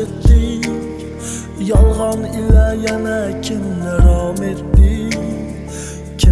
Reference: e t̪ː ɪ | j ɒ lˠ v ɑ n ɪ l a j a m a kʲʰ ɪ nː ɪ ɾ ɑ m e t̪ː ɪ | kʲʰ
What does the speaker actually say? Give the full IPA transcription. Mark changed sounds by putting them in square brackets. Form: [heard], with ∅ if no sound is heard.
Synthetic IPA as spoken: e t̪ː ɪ | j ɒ lˠ [ʁ] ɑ n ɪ l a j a [n] a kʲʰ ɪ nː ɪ ɾ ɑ m e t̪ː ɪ | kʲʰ